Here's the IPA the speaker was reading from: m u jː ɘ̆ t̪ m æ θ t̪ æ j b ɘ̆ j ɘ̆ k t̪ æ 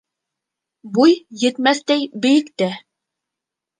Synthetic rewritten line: b u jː ɘ̆ t̪ m æ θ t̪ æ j b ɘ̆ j ɘ̆ k t̪ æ